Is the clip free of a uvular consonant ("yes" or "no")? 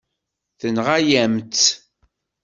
no